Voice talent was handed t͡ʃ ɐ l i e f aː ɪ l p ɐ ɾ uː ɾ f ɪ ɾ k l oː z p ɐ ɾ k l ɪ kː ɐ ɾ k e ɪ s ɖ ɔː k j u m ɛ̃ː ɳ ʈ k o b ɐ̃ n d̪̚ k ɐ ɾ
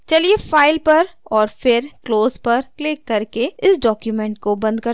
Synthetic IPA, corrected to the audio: t͡ʃ ɐ l i e f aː ɪ l p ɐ ɾ ɔː ɾ f ɪ ɾ k l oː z p ɐ ɾ k l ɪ kː ɐ ɾ k e ɪ s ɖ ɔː k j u m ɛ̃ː ɳ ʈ k o b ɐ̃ n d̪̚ k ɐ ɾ